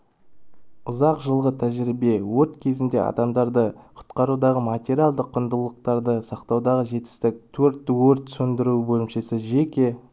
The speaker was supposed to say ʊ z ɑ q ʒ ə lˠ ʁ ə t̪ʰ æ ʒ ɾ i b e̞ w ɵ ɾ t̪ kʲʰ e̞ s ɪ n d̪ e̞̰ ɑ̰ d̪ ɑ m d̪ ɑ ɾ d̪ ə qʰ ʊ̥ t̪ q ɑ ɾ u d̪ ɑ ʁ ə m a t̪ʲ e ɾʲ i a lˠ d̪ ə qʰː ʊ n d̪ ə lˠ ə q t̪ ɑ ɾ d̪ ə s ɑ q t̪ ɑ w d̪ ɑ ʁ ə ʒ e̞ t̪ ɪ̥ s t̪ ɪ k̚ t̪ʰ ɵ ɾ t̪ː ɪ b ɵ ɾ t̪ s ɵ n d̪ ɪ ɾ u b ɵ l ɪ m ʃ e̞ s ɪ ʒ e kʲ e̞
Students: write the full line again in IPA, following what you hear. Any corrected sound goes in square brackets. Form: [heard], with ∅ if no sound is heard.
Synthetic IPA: ʊ z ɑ q ʒ ə lˠ ʁ ə t̪ʰ æ ʒ ɾ i b e̞ w ɵ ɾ t̪ kʲʰ e̞ [z] ɪ n d̪ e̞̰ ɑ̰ d̪ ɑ m d̪ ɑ ɾ d̪ ə qʰ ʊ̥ t̪ q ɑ ɾ u d̪ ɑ ʁ ə m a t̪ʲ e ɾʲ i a lˠ d̪ ə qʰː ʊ n d̪ ə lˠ ə q t̪ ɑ ɾ d̪ ə s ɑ q t̪ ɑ w d̪ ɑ ʁ ə ʒ e̞ t̪ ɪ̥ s t̪ ɪ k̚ t̪ʰ ɵ ɾ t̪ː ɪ [w] ɵ ɾ t̪ s ɵ n d̪ ɪ ɾ u b ɵ l ɪ m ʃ e̞ s ɪ ʒ e kʲ e̞